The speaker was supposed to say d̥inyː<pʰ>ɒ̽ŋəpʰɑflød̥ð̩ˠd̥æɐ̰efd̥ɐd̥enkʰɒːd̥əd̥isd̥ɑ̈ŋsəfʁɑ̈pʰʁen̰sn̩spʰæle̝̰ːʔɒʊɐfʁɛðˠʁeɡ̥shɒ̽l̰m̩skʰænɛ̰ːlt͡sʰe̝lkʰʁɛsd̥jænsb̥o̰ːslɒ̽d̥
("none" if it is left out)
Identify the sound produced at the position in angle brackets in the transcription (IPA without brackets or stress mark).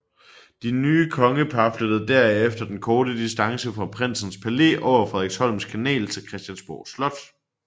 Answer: kʰ